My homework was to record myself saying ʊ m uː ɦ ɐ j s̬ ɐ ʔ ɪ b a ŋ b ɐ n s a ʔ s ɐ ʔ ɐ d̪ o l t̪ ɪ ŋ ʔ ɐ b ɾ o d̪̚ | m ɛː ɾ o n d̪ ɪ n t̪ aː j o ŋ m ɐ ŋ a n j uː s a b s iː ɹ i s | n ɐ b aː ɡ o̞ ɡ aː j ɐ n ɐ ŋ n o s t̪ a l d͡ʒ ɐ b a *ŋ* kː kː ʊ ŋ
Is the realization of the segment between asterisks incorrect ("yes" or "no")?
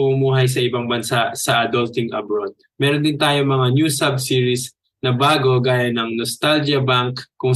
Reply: no